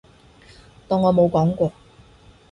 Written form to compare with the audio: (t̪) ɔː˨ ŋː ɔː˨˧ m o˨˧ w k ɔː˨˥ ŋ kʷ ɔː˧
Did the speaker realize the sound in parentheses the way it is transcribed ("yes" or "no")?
yes